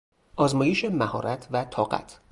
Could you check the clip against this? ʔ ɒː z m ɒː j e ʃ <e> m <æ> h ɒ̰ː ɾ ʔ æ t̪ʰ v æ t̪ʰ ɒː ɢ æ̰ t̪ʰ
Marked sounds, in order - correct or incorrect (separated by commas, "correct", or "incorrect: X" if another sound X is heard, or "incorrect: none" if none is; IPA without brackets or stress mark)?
correct, correct